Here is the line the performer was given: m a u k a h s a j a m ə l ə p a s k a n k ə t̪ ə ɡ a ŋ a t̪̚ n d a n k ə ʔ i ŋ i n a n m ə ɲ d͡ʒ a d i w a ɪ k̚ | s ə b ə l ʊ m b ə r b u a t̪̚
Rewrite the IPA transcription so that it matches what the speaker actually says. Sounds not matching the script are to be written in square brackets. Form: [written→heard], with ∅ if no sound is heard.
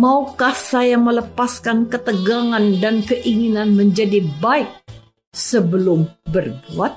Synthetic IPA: m a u k a h s a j a m ə l ə p a s k a n k ə t̪ ə ɡ a ŋ a [t̪̚→∅] n d a n k ə ʔ i ŋ i n a n m ə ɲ d͡ʒ a d i [w→b] a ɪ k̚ | s ə b ə l ʊ m b ə r b u a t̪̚